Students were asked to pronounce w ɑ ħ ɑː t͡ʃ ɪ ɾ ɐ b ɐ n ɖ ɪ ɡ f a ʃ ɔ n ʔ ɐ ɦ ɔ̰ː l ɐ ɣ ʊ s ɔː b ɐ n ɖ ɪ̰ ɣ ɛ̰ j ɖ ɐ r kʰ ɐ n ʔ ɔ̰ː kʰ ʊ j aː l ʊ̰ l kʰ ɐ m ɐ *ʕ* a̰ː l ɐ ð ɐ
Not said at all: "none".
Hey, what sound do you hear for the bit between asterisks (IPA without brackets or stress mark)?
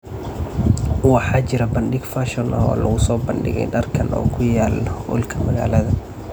ɣ